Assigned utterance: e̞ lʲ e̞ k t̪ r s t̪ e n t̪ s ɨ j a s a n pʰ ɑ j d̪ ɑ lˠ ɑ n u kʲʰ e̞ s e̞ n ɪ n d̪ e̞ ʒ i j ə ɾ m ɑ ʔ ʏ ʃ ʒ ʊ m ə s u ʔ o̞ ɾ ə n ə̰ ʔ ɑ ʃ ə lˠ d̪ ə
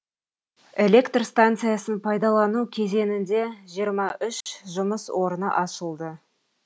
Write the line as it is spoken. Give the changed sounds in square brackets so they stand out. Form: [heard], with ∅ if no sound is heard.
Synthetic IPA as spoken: e̞ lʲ e̞ k t̪ r s t̪ [a] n t̪ s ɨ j a s [ə] n pʰ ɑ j d̪ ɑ lˠ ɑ n u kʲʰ e̞ [z] e̞ n ɪ n d̪ e̞ ʒ i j ə ɾ m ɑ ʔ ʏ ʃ ʒ ʊ m ə s [w] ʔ o̞ ɾ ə n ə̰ ʔ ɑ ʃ ə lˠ d̪ ə

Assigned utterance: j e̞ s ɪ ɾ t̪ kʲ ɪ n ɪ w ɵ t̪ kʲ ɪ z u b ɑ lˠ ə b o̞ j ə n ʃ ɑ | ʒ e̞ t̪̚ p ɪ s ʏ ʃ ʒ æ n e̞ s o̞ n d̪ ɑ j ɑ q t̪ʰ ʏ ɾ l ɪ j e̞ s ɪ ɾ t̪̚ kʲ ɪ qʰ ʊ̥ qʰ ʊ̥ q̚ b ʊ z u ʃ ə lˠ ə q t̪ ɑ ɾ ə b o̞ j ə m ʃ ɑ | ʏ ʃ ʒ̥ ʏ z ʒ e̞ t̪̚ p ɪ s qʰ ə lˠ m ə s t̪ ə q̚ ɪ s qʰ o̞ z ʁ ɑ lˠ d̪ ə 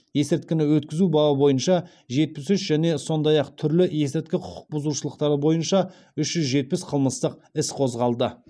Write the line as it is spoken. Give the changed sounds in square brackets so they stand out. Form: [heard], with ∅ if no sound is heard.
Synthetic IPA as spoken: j e̞ s ɪ ɾ t̪ kʲ ɪ n ɪ w ɵ t̪ kʲ ɪ z u b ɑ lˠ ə b o̞ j ə n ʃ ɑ | ʒ e̞ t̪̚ p ɪ s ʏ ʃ ʒ æ n e̞ s o̞ n d̪ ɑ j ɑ q t̪ʰ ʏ ɾ l ɪ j e̞ s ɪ ɾ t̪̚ kʲ ɪ qʰ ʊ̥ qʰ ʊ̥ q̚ b ʊ z u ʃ ə lˠ ə q t̪ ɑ ɾ ə b o̞ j ə [n] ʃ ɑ | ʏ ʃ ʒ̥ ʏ z ʒ e̞ t̪̚ p ɪ s qʰ ə lˠ m ə s t̪ ə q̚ ɪ s qʰ o̞ z ʁ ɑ lˠ d̪ ə

